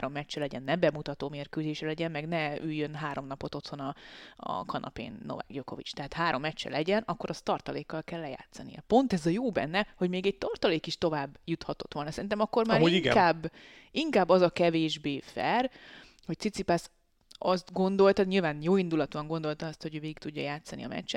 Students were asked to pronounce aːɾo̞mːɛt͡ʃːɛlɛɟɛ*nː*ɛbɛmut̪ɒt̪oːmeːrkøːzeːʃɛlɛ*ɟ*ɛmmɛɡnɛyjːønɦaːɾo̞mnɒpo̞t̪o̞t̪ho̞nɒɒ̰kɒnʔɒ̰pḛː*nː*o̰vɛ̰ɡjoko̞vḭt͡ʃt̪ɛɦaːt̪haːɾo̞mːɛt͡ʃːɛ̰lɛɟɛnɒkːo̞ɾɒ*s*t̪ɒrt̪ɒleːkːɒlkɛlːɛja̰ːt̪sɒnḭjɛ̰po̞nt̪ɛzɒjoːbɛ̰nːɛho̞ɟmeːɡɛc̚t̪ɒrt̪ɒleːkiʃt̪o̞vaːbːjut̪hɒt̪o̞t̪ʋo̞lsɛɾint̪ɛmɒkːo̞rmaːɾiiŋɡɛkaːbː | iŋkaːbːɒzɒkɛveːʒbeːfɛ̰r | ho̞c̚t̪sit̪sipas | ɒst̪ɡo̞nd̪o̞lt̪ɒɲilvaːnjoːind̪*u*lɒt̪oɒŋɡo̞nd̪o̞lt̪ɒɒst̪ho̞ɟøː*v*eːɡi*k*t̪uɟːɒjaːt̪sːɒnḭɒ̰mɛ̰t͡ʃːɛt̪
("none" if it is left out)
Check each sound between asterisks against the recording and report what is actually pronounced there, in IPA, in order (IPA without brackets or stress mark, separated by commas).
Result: nː, ɟ, nː, s, u, v, k